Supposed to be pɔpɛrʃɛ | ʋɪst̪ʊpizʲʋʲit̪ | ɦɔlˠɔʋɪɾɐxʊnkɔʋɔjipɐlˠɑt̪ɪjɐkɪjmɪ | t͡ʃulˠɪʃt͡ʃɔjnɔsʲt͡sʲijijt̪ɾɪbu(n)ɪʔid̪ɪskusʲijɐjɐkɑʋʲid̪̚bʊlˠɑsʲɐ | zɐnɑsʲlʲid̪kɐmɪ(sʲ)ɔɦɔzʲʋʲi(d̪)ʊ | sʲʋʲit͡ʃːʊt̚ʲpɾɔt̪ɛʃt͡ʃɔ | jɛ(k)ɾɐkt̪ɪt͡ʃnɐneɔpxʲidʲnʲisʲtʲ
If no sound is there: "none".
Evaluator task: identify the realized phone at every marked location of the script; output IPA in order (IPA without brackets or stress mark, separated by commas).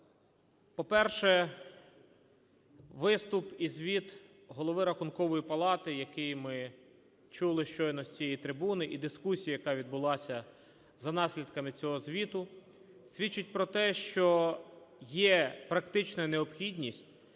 n, t͡sʲ, t̪, p